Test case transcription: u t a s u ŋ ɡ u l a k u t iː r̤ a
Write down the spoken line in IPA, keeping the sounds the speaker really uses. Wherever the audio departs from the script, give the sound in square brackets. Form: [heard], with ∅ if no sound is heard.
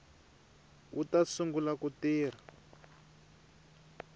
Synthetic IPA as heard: u t a s u ŋ ɡ u l a k u t iː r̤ a